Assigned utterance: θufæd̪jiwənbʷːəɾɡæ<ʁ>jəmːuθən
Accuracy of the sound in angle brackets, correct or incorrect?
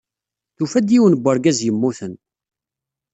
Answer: incorrect